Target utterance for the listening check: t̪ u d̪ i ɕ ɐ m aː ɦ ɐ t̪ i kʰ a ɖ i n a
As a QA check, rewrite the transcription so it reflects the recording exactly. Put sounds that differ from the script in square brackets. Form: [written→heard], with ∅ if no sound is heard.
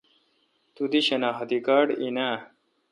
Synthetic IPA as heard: t̪ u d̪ i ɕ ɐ [m→n] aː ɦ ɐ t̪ i [kʰ→k] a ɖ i n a